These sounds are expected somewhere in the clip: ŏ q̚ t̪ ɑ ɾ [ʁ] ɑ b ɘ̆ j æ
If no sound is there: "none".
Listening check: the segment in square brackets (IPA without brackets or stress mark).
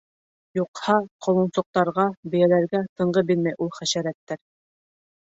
ʁ